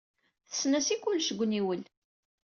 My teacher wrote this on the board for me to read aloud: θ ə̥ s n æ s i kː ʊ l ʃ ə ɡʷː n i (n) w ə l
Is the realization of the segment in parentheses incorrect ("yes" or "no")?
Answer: yes